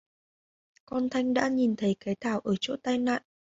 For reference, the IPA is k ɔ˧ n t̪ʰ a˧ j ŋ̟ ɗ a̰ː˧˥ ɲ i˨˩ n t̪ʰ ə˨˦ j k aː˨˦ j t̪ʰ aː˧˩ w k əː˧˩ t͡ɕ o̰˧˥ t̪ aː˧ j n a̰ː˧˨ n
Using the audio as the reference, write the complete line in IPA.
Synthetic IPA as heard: k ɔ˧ n t̪ʰ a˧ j ŋ̟ ɗ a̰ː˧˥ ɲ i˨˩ n t̪ʰ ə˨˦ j k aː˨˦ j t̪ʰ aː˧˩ w ʔ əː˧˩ t͡ɕ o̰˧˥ t̪ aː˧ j n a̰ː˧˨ n